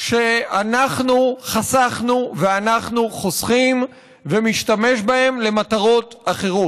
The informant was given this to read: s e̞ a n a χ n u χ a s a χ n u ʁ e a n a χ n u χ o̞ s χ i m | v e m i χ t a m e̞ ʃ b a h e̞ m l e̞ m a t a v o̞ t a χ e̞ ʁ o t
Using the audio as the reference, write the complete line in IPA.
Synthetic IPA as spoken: ʃ e̞ a n a χ n u χ a s a χ n u v e a n a χ n u χ o̞ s χ i m | v e m i ʃ t a m e̞ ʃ b a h e̞ m l e̞ m a t a ʁ o̞ t a χ e̞ ʁ o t